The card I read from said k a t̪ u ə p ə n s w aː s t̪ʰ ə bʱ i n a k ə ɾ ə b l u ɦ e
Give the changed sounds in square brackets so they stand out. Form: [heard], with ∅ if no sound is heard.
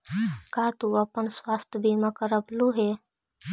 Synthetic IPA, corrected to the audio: k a t̪ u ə p ə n s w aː s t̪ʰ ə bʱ i [m] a k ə ɾ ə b l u ɦ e

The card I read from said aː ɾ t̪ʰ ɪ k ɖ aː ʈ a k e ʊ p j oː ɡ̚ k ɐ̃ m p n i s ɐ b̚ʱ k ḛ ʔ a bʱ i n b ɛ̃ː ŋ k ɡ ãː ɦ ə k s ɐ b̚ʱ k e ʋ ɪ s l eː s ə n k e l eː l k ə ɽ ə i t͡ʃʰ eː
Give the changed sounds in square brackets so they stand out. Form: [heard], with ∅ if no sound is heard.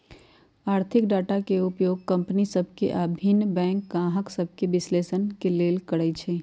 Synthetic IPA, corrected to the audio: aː ɾ t̪ʰ ɪ k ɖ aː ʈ a k e ʊ p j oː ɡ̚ k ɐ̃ m p n i s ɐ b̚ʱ k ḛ ʔ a bʱ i n b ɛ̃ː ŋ k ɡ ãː ɦ ə k s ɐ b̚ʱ k e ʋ ɪ s l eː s ə n k e l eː l k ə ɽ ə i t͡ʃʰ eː

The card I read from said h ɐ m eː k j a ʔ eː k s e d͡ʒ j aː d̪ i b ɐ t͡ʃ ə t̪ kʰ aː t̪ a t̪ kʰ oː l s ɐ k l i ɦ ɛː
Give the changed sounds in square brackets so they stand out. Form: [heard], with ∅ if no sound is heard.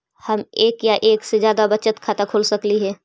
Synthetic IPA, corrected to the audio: h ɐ m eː k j a ʔ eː k s e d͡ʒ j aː d̪ [a] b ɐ t͡ʃ ə t̪ kʰ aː t̪ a [∅] kʰ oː l s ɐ k l i ɦ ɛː

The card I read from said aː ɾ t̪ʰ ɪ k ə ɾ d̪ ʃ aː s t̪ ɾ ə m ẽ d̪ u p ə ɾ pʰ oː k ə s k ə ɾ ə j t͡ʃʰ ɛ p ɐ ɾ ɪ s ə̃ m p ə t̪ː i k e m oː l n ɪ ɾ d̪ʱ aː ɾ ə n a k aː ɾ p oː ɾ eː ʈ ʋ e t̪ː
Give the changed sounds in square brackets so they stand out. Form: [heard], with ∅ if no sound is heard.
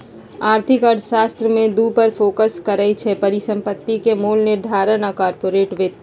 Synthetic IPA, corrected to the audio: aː ɾ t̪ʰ ɪ k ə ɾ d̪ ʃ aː s t̪ ɾ ə m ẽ d̪ u p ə ɾ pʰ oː k ə s k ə ɾ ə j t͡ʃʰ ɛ p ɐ ɾ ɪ s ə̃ m p ə t̪ː i k e m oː l n ɪ ɾ d̪ʱ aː ɾ ə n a k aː ɾ p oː ɾ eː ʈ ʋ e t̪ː

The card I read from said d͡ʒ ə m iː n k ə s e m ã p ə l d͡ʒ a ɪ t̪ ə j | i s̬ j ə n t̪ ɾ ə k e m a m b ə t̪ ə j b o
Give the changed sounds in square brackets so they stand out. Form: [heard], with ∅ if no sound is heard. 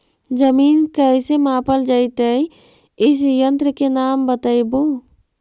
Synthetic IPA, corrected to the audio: d͡ʒ ə m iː n k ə s e m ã p ə l d͡ʒ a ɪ t̪ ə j | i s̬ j ə n t̪ ɾ ə k e [n] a m b ə t̪ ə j b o

